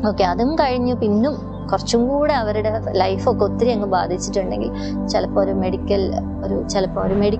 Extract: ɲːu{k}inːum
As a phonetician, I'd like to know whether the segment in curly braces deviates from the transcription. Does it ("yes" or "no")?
yes